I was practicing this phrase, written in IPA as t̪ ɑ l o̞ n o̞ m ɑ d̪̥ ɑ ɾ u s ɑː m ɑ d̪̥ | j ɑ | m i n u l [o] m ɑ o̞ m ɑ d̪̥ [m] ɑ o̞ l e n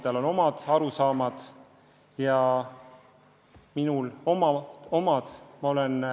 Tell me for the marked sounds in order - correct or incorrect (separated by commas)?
correct, correct